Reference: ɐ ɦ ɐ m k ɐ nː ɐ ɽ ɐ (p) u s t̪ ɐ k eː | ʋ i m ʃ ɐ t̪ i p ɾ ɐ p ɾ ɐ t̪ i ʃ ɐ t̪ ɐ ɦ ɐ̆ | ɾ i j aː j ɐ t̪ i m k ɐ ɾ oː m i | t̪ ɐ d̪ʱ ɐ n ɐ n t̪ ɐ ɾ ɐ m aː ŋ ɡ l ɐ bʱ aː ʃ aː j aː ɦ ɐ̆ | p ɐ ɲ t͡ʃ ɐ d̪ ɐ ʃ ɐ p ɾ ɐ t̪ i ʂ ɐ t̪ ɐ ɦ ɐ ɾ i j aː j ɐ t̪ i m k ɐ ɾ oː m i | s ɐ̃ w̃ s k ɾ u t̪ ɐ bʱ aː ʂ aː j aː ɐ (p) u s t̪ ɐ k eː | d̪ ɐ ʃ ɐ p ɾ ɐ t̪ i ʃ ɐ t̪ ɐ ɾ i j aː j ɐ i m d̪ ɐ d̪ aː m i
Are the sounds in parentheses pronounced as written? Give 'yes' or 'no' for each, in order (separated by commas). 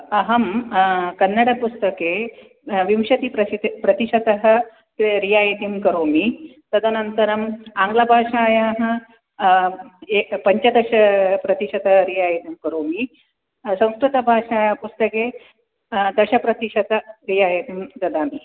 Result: yes, yes